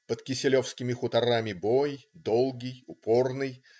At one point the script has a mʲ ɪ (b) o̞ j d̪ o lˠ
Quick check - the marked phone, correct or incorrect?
correct